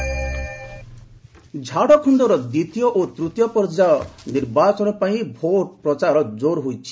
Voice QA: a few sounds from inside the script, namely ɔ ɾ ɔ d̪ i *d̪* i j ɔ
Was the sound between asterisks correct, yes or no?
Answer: no